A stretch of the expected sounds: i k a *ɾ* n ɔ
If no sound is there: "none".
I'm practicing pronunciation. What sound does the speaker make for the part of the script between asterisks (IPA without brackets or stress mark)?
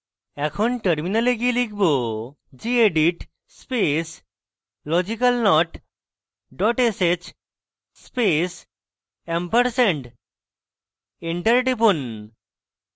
l